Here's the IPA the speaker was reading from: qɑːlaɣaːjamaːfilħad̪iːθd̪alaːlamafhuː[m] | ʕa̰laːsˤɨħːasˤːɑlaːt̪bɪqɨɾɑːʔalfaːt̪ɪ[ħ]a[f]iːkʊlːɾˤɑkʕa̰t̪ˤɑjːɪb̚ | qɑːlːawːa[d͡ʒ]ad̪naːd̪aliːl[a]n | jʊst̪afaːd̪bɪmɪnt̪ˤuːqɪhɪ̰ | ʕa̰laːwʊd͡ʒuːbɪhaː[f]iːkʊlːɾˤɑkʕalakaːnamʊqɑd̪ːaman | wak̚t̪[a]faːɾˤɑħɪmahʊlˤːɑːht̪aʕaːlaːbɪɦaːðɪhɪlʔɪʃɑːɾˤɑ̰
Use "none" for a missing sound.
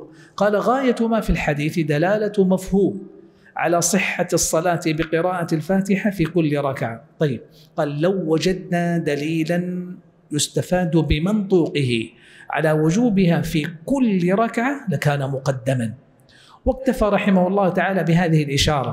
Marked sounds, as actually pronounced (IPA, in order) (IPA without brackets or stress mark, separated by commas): m, ħ, f, d͡ʒ, a, f, a